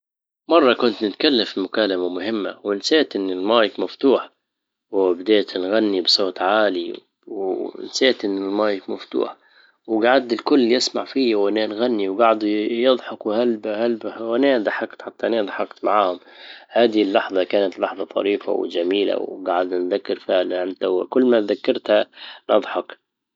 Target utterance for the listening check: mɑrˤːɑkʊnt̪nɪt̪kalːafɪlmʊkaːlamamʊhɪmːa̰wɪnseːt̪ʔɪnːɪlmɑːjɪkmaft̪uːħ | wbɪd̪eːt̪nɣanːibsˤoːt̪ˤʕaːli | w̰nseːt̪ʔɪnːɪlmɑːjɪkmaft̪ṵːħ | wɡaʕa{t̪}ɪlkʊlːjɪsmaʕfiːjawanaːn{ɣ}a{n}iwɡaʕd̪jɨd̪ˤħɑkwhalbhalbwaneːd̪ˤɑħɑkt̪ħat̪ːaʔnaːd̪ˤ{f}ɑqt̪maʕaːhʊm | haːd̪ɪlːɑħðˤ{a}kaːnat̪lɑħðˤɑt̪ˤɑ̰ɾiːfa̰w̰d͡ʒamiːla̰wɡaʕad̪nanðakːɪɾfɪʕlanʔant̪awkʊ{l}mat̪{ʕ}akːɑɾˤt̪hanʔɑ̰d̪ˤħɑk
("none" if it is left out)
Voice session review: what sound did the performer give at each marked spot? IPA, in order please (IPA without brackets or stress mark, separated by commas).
d̪, ɣ, nː, ħ, ɑ, lː, ð